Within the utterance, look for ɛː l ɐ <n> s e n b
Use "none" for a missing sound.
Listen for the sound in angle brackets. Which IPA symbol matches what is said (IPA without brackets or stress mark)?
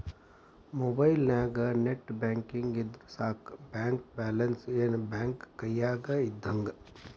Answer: n